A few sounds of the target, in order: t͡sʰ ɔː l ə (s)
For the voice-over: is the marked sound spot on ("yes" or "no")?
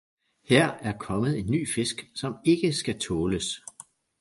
yes